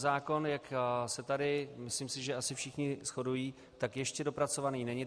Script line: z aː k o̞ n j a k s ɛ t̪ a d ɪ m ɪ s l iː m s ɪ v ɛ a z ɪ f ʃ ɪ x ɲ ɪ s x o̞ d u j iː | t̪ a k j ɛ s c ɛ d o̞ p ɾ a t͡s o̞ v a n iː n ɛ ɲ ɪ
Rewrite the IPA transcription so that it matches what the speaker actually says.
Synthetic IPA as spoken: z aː k o̞ n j a k s ɛ t̪ a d ɪ m ɪ s l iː m s ɪ ʒ ɛ a s ɪ f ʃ ɪ x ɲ ɪ s x o̞ d u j iː | t̪ a k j ɛ ʃ c ɛ d o̞ p ɾ a t͡s o̞ v a n iː n ɛ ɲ ɪ